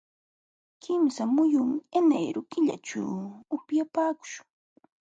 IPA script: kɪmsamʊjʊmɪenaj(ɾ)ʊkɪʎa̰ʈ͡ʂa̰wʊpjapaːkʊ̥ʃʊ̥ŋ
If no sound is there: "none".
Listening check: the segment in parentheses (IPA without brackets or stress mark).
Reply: ɾ